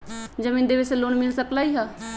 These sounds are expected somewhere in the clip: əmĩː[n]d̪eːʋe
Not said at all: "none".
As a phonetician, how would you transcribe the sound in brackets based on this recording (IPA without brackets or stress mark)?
n